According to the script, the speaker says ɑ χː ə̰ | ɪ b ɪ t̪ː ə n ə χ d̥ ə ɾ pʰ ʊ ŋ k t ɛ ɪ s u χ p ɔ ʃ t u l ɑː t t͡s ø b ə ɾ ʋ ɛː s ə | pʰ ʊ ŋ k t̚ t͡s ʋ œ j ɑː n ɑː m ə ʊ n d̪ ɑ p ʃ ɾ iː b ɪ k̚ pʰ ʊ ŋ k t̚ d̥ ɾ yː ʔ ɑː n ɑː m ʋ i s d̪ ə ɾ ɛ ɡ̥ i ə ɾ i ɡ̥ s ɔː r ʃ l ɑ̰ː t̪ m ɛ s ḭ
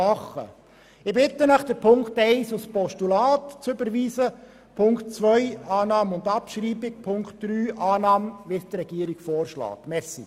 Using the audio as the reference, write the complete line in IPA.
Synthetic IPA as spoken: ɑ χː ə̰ | ɪ b ɪ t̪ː ə n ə χ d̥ ə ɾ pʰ ʊ ŋ k t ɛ ɪ s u s p ɔ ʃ t u l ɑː t t͡s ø b ə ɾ ʋ iː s ə | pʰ ʊ ŋ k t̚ t͡s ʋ œ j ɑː n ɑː m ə ʊ n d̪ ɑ p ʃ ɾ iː b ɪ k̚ pʰ ʊ ŋ k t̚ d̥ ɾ yː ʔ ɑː n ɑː m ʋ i s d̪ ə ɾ ɛ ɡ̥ i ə ɾ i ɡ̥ f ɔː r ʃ l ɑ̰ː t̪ m ɛ s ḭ